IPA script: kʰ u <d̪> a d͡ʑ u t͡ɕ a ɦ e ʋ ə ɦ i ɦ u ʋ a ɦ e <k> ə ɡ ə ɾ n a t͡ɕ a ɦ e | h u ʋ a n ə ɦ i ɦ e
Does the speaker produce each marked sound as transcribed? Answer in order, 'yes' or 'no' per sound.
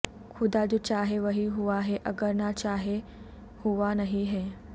yes, no

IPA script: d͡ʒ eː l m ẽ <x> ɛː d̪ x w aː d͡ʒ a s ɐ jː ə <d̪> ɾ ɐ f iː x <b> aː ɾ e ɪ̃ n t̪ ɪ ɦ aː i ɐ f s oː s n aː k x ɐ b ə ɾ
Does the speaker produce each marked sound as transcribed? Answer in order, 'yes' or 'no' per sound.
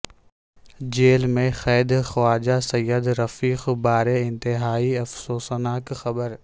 yes, yes, yes

